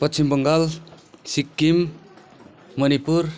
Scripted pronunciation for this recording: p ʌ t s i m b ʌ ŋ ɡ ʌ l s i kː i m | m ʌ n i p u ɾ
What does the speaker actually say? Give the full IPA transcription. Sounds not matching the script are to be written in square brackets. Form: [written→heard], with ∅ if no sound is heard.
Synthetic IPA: p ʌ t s i m b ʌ ŋ ɡ [ʌ→a] l s i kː i m | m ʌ n i p u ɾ